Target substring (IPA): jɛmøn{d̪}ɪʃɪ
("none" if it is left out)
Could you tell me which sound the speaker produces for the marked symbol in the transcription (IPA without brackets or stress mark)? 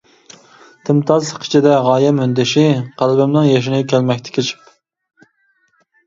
d̪